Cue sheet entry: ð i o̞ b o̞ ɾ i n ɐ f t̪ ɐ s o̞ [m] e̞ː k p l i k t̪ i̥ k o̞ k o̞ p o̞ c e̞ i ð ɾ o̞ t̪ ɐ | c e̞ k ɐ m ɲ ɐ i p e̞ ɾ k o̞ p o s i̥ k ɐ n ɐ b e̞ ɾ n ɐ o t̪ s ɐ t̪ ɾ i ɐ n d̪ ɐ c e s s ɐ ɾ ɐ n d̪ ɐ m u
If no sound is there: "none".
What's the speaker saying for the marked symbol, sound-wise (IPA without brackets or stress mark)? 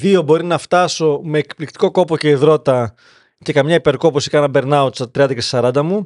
m